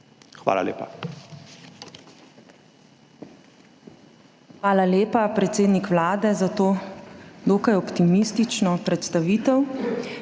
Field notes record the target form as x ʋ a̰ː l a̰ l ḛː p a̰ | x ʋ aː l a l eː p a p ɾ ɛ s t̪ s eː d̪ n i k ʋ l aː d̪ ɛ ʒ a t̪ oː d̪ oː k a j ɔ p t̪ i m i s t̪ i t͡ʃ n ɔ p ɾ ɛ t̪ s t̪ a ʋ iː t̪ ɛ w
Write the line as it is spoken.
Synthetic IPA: x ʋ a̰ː l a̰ l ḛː p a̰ | x ʋ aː l a l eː p a p ɾ ɛ t̪ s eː d̪ n i k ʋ l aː d̪ ɛ z a t̪ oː d̪ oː k a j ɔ p t̪ i m i s t̪ i t͡ʃ n ɔ p ɾ ɛ t̪ s t̪ a ʋ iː t̪ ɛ w